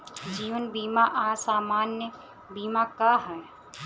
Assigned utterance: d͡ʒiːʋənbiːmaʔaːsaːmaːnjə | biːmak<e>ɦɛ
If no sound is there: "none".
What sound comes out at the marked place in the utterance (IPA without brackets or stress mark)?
a